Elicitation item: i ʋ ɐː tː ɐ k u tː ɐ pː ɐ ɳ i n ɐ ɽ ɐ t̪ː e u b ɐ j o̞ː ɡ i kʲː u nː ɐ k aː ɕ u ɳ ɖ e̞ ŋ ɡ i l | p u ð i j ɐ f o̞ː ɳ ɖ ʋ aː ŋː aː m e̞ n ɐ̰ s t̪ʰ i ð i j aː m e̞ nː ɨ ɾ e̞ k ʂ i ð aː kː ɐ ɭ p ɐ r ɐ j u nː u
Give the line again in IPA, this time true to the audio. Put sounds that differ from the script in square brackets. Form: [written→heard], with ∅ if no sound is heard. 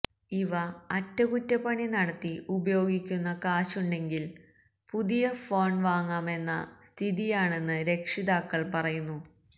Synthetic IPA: i ʋ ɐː tː ɐ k u tː ɐ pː ɐ ɳ i n ɐ ɽ ɐ t̪ː [e→i] u b ɐ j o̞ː ɡ i kʲː u nː ɐ k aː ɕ u ɳ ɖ e̞ ŋ ɡ i l | p u ð i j ɐ f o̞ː ɳ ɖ ʋ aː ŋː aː m e̞ [n→nː] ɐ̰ s t̪ʰ i ð i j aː [m→ɳ] e̞ nː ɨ ɾ e̞ k ʂ i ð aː kː ɐ ɭ p ɐ r ɐ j u nː u